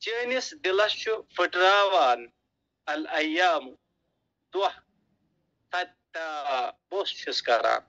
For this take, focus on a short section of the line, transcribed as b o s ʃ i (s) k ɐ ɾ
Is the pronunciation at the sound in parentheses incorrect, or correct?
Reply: correct